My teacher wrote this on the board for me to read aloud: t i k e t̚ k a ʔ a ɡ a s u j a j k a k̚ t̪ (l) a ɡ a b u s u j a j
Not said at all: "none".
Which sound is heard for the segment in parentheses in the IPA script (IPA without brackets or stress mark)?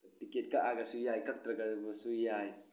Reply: ɾ